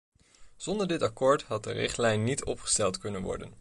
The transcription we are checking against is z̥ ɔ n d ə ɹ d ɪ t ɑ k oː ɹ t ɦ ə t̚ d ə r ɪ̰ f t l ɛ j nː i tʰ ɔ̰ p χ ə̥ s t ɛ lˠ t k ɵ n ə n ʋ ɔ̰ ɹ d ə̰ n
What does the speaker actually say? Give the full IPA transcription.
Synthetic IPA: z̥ ɔ n d ə ɹ d ɪ t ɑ k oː ɹ t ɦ ɑ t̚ d ə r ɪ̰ χ t l ɛ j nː i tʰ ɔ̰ p χ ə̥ s t ɛ lˠ t k ɵ n ə n ʋ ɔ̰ ɹ d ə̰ n